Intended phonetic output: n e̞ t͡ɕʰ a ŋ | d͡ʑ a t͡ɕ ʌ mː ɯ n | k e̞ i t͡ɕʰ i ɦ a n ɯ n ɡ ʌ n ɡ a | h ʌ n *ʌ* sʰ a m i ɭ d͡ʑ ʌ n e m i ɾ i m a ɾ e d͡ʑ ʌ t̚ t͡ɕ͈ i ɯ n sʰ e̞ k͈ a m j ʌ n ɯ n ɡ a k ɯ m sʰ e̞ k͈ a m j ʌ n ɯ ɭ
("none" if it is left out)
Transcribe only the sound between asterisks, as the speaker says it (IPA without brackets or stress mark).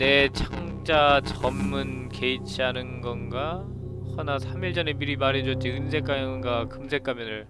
a